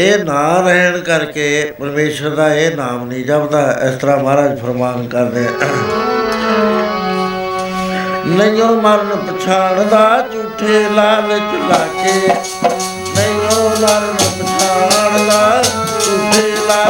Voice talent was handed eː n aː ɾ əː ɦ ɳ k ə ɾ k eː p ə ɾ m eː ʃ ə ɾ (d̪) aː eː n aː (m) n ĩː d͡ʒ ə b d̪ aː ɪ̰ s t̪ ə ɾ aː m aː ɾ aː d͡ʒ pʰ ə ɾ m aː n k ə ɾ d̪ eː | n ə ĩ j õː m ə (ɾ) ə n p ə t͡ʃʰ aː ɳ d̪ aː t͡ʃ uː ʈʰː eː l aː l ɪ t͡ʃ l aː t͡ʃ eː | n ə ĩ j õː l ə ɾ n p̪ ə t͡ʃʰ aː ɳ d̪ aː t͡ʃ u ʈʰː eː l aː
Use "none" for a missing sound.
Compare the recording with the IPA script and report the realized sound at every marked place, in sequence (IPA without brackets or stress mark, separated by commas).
d̪, m, ɾ